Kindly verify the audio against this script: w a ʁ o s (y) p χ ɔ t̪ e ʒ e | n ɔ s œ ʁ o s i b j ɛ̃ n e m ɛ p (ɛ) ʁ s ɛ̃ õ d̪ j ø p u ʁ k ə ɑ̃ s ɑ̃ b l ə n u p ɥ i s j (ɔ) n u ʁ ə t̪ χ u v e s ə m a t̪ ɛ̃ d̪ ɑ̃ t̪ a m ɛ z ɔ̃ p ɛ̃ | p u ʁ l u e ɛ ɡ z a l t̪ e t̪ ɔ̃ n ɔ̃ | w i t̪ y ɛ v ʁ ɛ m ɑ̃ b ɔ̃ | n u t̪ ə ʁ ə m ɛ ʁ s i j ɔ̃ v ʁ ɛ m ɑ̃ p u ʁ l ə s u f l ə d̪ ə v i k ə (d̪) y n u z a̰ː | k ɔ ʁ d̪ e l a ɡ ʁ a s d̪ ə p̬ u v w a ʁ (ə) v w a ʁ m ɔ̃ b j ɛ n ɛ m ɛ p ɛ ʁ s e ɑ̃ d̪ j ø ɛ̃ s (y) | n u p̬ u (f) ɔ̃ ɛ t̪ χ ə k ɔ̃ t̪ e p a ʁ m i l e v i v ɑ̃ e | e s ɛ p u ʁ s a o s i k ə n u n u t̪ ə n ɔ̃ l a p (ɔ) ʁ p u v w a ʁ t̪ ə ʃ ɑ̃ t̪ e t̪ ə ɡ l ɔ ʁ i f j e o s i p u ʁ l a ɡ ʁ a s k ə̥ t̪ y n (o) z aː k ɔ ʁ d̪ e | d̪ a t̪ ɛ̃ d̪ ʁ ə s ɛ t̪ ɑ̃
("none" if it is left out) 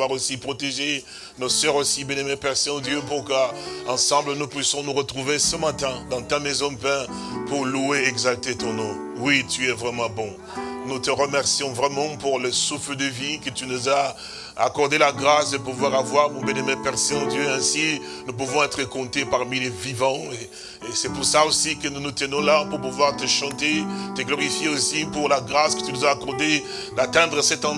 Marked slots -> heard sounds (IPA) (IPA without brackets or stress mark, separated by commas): i, ɛ, ɔ̃, t̪, a, i, v, u, u